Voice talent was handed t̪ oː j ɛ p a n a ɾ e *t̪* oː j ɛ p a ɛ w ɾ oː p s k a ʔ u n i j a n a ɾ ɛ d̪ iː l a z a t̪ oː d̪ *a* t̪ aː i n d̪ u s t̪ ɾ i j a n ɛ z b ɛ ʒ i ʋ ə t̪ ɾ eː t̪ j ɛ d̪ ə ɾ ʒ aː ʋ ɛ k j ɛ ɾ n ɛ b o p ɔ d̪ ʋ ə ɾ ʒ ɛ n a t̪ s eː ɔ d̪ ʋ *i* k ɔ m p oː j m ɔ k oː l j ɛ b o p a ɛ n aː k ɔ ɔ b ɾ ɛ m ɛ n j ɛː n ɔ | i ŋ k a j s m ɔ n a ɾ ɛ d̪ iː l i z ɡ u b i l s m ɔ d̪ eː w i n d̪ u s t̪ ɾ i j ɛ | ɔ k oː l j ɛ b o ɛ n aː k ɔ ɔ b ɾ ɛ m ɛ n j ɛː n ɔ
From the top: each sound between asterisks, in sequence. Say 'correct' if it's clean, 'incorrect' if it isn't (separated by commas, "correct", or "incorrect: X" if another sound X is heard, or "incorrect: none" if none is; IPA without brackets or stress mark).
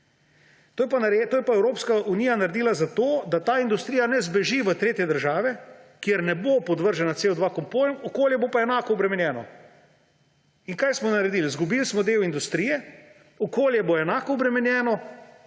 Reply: correct, correct, incorrect: a